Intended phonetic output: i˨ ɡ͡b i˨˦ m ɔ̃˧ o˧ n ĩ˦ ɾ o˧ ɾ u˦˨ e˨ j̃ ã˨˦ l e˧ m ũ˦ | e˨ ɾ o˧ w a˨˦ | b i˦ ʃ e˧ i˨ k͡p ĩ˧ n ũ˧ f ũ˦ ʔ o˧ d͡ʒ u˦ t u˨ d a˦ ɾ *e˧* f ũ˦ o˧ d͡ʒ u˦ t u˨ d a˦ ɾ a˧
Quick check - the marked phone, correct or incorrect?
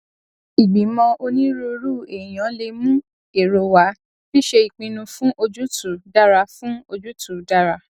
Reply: incorrect